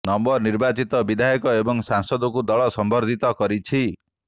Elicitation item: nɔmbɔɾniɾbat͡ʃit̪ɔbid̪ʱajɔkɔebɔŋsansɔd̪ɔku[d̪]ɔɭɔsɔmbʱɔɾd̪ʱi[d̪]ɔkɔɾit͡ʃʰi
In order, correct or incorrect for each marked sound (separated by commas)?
correct, incorrect